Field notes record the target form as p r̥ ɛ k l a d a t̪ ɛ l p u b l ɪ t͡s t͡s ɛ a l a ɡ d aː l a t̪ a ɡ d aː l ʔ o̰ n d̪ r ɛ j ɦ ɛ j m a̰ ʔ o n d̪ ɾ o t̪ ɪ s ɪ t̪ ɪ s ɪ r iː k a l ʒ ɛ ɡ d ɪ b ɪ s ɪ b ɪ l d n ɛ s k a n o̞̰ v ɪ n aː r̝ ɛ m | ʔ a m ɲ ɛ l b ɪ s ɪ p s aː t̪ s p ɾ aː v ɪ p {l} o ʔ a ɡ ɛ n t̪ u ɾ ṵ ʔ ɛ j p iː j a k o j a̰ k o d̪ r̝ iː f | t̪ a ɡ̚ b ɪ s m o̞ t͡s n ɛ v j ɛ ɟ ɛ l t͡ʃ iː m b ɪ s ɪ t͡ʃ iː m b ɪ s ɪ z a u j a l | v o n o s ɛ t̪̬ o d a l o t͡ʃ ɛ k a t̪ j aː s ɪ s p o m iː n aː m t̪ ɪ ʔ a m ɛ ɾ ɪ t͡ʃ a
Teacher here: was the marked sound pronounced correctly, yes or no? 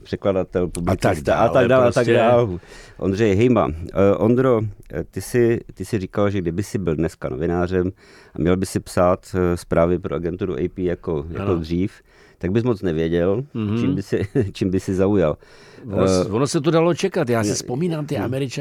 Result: no